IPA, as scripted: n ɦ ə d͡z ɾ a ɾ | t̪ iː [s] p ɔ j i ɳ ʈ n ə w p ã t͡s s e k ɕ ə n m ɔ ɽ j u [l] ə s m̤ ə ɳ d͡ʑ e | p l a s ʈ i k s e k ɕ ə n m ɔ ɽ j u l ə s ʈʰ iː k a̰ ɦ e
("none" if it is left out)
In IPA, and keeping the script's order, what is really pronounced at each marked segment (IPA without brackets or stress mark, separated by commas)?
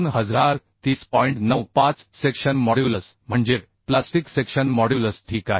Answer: s, l